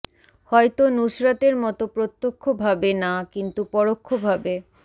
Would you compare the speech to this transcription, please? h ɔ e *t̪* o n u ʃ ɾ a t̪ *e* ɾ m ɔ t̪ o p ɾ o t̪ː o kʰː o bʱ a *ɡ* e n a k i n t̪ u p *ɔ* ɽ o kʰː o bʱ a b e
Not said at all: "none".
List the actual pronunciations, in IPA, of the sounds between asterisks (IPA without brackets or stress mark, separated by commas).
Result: t̪, e, b, ɔ